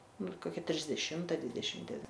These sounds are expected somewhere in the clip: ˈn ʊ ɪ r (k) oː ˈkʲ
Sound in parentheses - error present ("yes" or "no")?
no